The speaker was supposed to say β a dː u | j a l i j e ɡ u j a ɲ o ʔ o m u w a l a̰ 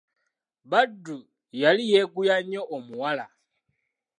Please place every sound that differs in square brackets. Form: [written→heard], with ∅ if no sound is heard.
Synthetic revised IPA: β a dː u | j a l i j e ɡ u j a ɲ o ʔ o m u w a l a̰

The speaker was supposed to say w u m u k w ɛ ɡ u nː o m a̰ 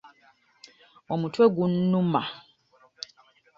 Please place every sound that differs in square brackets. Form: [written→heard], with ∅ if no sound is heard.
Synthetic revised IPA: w [u→ɔ] m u [k→t] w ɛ ɡ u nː [o→u] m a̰

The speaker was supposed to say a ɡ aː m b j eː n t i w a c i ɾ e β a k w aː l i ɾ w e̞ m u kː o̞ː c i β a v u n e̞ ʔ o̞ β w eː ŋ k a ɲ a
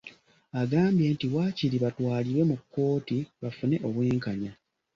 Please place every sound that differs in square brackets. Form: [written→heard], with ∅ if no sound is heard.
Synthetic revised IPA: a ɡ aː m b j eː n t i w a c i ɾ [e→i] β a [k→t] w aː l i ɾ w e̞ m u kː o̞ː [c→t] i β a [v→f] u n e̞ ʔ o̞ β w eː ŋ k a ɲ a

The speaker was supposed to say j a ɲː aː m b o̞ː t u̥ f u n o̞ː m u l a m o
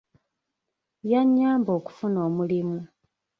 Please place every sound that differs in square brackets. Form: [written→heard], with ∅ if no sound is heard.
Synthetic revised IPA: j a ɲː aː m b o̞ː [t→k] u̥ f u n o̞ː m u l [a→i] m [o→u]

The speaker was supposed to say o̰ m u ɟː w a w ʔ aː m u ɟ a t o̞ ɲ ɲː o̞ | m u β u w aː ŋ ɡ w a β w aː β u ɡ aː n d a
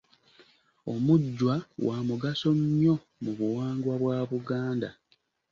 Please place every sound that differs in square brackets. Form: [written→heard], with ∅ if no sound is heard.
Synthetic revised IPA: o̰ m u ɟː w a w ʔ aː m u [ɟ→ɡ] a [t→s] o̞ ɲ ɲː o̞ | m u β u w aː ŋ ɡ w a β w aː β u ɡ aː n d a

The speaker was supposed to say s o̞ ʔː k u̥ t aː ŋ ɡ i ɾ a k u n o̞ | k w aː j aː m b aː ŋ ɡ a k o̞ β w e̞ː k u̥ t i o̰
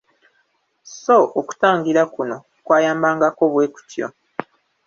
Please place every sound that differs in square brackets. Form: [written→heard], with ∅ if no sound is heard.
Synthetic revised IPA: s o̞ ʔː k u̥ t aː ŋ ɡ i ɾ a k u n o̞ | k w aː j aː m b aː ŋ ɡ a k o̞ β w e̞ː k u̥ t [i→j] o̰

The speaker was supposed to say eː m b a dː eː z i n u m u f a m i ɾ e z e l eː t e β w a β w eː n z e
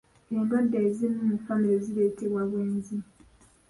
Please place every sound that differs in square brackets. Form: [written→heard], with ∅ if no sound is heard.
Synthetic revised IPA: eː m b a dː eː z i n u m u f a m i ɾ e z [e→i] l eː t e β w a β w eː n z [e→i]

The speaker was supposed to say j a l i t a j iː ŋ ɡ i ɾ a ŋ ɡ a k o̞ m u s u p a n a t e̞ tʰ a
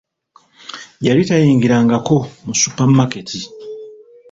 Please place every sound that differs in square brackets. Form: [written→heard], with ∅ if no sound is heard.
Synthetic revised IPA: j a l i t a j iː ŋ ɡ i ɾ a ŋ ɡ a k o̞ m u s u p a [n→m] a [t→k] e̞ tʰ [a→i]

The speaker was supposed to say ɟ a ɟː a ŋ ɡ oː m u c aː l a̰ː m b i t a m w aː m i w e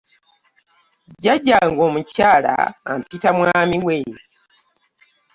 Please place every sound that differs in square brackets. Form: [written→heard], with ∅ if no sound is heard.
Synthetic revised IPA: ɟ a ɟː a ŋ ɡ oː m u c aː l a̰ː m [b→p] i t a m w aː m i w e

